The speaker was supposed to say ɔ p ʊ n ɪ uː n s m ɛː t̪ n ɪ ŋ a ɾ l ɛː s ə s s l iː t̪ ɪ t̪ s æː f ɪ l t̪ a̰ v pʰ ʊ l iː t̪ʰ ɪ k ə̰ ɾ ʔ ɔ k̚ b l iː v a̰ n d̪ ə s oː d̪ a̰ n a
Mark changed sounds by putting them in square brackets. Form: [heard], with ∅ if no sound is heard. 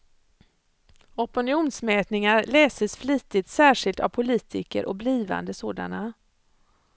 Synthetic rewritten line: ɔ p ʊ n ɪ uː n s m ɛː t̪ n ɪ ŋ a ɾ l ɛː s ə s [f] l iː t̪ ɪ t̪ s æː [ʂ] ɪ l t̪ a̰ v pʰ ʊ l iː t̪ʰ ɪ k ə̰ ɾ ʔ ɔ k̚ b l iː v a̰ n d̪ ə s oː d̪ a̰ n a